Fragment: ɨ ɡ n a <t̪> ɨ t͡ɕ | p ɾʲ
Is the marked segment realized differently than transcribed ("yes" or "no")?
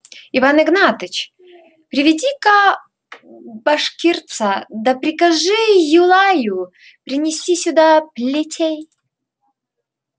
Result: no